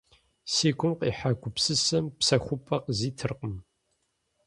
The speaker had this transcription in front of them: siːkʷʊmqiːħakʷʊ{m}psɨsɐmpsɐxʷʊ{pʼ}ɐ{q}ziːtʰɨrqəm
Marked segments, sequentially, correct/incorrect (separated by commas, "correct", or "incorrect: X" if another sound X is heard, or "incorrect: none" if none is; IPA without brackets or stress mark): incorrect: none, correct, correct